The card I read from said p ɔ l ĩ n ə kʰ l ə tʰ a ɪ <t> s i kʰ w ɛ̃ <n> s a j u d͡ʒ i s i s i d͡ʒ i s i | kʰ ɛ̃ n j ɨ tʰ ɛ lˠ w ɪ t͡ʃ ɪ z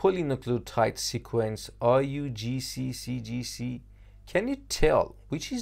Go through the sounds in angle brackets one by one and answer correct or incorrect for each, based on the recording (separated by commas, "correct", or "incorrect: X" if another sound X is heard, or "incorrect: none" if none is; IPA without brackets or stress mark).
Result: correct, correct